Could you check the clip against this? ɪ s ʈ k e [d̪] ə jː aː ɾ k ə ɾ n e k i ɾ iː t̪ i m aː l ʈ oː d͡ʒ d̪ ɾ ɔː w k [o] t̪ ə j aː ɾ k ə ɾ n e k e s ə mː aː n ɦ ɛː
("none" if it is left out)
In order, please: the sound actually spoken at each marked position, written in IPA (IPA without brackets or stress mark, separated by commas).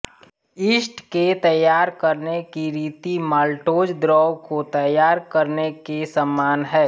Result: t̪, o